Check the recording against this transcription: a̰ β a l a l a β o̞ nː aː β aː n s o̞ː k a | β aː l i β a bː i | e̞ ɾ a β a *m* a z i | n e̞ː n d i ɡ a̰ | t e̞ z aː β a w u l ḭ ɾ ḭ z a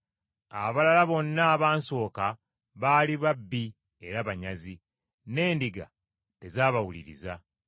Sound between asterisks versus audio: incorrect: ɲ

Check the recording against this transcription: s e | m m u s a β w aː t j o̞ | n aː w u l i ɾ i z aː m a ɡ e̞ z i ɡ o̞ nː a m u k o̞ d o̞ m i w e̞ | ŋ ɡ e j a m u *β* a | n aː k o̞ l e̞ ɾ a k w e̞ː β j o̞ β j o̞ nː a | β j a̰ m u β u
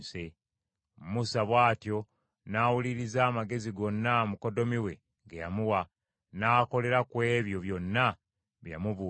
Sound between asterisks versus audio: incorrect: w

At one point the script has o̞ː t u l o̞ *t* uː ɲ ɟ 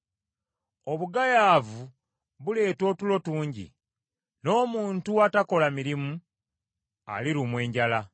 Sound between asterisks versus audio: correct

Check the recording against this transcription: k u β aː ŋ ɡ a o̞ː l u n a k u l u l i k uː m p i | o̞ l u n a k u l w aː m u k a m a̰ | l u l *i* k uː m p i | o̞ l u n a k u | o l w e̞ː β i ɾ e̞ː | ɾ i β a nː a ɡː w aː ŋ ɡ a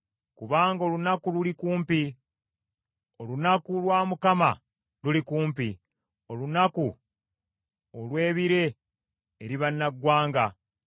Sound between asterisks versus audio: correct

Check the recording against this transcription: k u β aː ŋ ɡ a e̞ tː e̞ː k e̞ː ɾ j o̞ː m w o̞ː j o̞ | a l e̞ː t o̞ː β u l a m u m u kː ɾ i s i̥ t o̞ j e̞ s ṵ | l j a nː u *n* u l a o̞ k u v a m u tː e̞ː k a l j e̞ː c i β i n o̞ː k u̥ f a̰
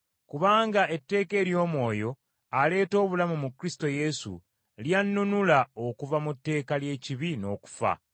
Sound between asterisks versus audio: correct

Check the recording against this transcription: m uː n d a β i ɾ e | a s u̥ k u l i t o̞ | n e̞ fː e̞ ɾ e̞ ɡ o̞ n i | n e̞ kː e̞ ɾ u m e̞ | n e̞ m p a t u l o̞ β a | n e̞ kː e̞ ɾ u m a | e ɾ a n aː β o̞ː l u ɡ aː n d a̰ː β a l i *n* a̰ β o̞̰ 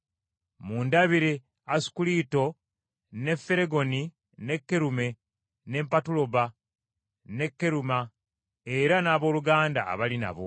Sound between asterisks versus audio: correct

